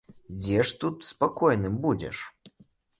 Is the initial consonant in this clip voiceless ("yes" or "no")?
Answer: no